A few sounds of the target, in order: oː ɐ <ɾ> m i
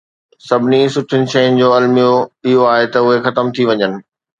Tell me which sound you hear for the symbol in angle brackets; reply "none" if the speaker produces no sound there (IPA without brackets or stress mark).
l